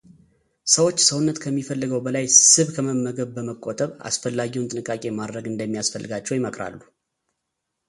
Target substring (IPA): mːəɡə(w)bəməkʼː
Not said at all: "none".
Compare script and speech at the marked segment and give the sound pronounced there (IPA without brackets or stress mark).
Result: β